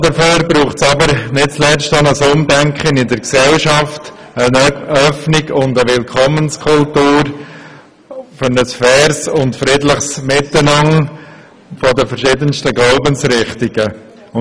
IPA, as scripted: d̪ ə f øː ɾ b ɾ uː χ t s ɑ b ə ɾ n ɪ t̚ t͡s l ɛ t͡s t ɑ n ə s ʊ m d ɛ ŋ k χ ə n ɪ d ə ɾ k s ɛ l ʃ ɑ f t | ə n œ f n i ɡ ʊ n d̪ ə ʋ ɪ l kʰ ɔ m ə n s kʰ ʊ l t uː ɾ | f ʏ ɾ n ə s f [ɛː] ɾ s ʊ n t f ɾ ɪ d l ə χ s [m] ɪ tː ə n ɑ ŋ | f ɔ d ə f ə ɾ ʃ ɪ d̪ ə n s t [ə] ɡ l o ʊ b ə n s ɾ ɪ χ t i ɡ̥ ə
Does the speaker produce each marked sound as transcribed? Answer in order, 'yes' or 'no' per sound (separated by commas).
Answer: yes, yes, yes